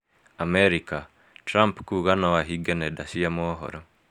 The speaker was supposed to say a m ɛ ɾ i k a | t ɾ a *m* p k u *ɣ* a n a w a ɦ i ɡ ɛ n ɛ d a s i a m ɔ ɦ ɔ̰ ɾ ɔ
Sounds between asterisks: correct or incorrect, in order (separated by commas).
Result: correct, correct